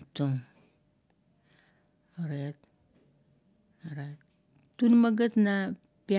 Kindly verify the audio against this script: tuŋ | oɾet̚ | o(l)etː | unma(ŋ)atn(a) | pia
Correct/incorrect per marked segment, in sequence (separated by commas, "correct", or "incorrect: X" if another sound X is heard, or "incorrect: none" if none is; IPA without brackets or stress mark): incorrect: ɾ, incorrect: ɡ, correct